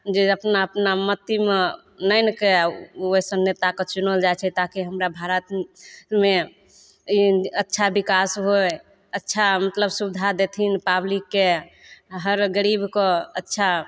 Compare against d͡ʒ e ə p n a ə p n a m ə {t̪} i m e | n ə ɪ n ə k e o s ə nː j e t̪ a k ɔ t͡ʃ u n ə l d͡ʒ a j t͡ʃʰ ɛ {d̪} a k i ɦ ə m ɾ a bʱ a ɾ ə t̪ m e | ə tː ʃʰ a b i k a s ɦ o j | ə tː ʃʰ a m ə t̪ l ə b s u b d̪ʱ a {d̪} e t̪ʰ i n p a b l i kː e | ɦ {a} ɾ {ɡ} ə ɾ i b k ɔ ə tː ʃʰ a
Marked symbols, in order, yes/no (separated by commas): yes, no, yes, no, yes